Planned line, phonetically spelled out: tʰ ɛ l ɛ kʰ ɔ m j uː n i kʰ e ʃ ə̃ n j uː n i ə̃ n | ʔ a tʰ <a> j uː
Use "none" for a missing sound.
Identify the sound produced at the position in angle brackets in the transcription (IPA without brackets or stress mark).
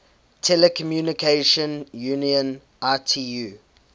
i